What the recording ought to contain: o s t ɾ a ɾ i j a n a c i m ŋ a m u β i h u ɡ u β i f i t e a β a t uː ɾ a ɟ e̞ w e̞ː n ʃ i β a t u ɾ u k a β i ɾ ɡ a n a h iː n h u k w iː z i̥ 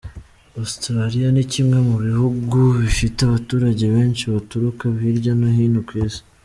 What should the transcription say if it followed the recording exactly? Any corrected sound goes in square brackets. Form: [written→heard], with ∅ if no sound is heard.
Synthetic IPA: o s t ɾ a ɾ i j a n [a→i] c i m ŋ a m u β i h u ɡ u β i f i t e a β a t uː ɾ a ɟ e̞ [w→β] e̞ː n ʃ i β a t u ɾ u k a β i ɾ [ɡ→ɟ] a n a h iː n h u k w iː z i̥